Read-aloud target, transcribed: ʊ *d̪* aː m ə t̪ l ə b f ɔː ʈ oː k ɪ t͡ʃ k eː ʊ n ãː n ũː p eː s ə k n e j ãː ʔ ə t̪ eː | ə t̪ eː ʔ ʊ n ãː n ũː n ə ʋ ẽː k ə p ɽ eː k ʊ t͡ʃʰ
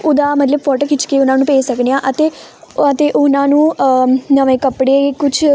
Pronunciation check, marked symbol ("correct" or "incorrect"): correct